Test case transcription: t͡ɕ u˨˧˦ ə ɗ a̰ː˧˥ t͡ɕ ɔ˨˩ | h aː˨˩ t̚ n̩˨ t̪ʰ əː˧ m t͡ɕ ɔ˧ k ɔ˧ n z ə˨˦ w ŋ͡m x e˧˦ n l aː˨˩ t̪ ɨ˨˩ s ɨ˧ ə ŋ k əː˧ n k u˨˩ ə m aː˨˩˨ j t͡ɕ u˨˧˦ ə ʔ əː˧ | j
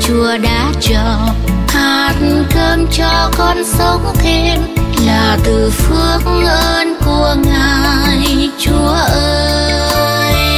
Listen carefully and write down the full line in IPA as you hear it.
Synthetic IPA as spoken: t͡ɕ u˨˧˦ ə ɗ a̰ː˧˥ t͡ɕ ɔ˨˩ | h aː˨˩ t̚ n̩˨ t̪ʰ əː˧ m t͡ɕ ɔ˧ k ɔ˧ n s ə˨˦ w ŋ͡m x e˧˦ n l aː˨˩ t̪ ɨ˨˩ f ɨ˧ ə ŋ ʔ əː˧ n k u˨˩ ə ŋ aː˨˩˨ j t͡ɕ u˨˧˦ ə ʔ əː˧ | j

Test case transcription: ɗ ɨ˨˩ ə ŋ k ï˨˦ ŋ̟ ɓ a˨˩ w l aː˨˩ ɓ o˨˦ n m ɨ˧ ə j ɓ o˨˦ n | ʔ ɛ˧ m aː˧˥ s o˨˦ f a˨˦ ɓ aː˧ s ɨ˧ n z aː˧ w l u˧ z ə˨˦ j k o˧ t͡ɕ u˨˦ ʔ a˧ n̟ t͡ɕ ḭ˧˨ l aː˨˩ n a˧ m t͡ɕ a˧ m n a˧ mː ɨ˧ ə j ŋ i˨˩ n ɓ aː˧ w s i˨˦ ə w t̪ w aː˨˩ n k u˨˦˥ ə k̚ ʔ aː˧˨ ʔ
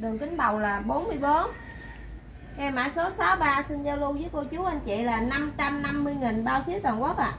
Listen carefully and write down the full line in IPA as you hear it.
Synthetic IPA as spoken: ɗ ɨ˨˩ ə ŋ k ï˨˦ ŋ̟ ɓ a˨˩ w l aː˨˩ ɓ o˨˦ n m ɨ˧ ə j ɓ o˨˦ n | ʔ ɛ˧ m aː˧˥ s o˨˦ s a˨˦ ɓ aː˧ s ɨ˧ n z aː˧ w l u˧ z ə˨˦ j k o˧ t͡ɕ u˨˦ ʔ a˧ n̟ t͡ɕ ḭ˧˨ l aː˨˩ n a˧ m t͡ɕ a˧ m n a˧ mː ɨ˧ ə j ŋ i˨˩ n ɓ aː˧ w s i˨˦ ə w t̪ w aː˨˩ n k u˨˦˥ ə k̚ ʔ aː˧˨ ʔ

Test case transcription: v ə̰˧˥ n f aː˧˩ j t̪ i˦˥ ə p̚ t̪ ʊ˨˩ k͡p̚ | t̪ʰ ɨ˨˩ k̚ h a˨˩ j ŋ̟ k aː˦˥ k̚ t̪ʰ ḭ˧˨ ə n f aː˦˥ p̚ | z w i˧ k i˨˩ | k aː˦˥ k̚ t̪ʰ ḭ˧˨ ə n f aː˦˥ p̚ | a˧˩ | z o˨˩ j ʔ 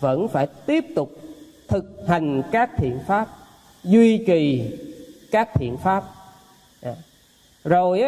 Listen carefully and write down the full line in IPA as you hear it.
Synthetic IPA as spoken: v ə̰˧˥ n f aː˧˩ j t̪ i˦˥ ə p̚ t̪ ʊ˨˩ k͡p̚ | t̪ʰ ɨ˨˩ k̚ h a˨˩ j ŋ̟ k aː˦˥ k̚ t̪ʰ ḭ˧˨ ə n f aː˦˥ p̚ | z w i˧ k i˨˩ | k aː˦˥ k̚ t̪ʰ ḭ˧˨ ə n f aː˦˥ p̚ | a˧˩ | z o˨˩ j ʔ

